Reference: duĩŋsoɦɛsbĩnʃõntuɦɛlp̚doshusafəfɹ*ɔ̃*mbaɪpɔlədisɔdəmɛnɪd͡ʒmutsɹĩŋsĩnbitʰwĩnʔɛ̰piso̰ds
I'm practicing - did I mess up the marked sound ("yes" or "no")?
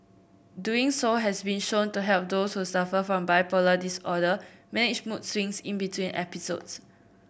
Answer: no